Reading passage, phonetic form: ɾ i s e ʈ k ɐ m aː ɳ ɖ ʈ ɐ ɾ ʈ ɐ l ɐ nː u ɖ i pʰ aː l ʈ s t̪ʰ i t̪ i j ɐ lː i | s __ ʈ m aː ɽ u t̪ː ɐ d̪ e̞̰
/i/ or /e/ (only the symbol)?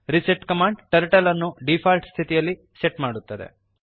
e